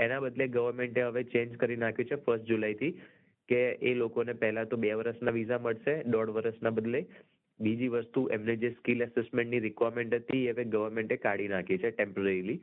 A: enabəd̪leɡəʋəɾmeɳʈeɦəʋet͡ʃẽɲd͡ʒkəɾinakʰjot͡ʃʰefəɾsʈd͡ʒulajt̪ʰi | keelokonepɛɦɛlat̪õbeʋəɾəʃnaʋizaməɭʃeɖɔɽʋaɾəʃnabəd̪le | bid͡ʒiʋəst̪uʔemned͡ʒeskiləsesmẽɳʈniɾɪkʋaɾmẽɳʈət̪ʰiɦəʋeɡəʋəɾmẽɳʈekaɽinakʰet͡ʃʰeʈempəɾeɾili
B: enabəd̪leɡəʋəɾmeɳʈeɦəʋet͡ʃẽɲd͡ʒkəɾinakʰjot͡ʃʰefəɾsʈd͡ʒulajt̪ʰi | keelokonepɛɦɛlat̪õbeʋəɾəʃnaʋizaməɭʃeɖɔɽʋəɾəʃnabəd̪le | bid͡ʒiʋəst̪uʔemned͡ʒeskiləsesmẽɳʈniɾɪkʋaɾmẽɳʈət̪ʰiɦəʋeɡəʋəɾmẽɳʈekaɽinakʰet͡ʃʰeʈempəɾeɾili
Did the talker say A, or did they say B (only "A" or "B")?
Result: B